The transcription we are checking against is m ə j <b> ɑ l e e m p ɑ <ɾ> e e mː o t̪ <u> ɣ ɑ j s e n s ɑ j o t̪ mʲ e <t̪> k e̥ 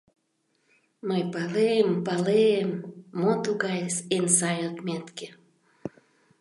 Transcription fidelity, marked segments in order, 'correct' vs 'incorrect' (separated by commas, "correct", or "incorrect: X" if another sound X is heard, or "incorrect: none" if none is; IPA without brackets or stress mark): incorrect: p, incorrect: l, correct, correct